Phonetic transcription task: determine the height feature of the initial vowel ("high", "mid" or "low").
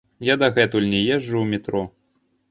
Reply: low